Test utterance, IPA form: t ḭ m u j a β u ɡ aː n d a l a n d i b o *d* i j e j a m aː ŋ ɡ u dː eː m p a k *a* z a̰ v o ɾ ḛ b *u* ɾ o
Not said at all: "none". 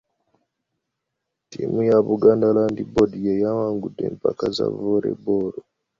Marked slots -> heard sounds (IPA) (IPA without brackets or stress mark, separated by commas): d, a, o